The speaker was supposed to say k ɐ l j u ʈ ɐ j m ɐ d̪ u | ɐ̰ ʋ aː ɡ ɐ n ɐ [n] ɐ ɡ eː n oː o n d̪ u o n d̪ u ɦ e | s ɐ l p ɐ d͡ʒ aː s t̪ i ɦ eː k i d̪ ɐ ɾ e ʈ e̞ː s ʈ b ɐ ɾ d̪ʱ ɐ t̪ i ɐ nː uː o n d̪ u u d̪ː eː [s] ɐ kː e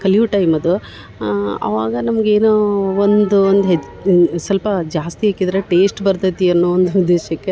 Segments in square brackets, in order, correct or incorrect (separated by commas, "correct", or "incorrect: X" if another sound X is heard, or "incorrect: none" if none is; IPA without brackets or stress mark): incorrect: m, incorrect: ʃ